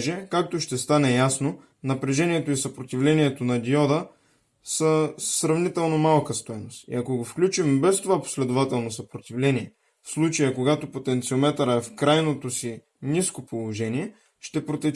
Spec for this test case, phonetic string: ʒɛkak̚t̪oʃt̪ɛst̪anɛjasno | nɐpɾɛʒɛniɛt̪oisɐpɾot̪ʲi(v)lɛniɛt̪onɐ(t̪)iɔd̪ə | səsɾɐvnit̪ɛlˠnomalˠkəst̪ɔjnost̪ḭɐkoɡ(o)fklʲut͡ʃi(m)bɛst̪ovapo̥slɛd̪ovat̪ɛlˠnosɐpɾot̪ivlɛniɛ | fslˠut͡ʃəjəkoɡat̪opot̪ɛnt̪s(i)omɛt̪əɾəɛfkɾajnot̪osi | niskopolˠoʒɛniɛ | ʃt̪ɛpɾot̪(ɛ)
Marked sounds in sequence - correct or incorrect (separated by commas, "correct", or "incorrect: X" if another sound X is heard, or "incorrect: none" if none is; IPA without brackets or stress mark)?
correct, incorrect: d̪, correct, correct, correct, correct